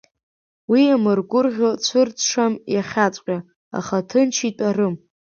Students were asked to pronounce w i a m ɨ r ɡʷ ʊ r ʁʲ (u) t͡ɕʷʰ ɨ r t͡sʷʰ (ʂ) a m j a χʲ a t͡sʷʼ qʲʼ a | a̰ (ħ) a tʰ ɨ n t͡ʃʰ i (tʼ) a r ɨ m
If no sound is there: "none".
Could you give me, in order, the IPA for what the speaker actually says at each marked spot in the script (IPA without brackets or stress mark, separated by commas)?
o, ʂ, χ, tʼ